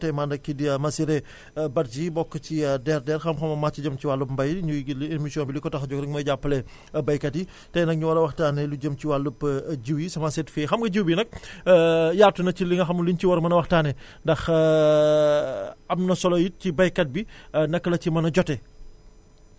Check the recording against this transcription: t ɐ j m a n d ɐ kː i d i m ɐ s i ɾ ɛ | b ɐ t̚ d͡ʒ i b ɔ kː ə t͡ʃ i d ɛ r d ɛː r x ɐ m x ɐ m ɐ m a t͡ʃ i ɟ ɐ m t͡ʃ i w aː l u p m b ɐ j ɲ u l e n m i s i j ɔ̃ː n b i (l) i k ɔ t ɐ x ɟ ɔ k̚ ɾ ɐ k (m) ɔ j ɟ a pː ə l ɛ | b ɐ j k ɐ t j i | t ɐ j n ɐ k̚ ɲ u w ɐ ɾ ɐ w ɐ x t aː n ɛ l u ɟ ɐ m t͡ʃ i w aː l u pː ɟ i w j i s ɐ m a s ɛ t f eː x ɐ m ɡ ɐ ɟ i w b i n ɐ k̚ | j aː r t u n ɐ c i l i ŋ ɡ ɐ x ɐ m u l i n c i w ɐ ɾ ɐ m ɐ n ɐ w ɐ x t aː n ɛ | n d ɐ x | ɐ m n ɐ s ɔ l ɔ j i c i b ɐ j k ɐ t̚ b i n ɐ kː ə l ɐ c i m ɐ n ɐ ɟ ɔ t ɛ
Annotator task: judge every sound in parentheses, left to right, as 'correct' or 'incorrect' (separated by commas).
correct, correct